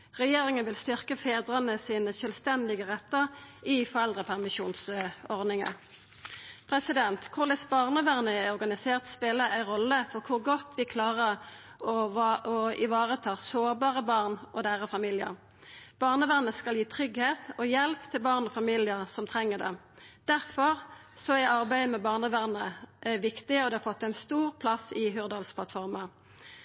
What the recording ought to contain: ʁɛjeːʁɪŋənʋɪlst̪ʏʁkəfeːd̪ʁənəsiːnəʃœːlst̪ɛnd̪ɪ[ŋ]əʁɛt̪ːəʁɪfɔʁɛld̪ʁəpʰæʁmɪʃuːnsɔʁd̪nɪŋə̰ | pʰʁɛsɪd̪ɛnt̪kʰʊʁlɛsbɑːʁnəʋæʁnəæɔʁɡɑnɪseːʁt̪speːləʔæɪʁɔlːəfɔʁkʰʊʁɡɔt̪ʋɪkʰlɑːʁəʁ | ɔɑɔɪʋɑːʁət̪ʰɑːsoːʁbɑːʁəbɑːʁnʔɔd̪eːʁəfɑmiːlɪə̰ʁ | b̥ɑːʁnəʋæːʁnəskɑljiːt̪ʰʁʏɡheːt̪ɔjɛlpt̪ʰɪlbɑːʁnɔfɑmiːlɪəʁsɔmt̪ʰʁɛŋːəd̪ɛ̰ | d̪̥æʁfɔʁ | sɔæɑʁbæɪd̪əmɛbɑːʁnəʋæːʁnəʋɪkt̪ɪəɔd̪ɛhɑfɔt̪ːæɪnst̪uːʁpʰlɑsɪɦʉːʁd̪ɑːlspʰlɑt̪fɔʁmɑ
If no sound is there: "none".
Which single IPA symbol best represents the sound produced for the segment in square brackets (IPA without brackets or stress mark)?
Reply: ɡ